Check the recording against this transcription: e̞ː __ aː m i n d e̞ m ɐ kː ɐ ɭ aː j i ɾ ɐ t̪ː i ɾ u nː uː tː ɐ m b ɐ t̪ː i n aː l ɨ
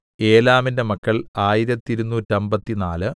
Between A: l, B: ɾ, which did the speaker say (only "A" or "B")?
A